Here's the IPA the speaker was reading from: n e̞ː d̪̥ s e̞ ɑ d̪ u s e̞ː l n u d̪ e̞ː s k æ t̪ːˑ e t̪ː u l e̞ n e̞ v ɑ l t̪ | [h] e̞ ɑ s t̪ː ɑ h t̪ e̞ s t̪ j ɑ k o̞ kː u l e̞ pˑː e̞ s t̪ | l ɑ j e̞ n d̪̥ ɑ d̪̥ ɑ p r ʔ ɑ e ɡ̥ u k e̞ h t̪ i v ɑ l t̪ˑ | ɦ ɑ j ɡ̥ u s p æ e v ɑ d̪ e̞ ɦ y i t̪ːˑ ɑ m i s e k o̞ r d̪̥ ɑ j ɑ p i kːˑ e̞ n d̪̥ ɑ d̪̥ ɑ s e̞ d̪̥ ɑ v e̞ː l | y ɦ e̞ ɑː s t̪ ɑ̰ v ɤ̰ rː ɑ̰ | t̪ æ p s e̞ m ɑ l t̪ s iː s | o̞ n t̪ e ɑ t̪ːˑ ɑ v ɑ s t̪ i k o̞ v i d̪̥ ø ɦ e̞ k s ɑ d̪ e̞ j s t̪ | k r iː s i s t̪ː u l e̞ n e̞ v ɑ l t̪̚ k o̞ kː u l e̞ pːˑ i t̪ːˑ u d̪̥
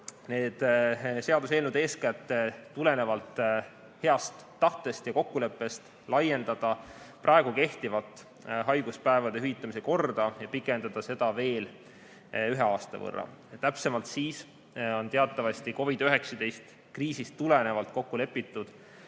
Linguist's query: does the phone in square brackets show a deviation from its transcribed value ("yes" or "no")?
no